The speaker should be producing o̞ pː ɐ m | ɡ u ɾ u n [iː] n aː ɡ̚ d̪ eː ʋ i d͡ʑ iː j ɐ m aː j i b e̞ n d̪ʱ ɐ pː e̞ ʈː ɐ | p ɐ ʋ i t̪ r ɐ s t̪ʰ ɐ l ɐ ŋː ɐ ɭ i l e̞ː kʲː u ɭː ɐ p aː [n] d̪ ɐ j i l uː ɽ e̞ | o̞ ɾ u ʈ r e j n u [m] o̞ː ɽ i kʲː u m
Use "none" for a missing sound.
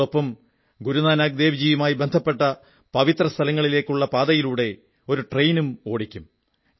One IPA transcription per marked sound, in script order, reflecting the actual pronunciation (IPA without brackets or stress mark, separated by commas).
aː, none, m